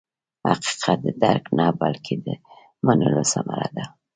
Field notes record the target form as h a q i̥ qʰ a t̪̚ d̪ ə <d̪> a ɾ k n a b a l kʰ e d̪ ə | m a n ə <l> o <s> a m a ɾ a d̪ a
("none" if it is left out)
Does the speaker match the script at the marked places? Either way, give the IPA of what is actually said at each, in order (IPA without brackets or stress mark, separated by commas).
d̪, l, s